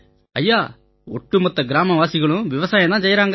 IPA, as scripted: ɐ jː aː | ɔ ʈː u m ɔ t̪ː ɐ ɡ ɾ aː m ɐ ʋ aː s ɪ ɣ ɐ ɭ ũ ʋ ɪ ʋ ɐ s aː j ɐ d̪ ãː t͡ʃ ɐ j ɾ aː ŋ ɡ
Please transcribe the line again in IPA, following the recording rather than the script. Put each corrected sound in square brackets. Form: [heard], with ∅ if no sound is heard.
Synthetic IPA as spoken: ɐ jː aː | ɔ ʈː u m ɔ t̪ː ɐ ɡ ɾ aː m ɐ ʋ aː s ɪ ɣ ɐ ɭ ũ ʋ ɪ ʋ ɐ s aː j ɐ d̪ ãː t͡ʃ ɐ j ɾ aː ŋ ɡ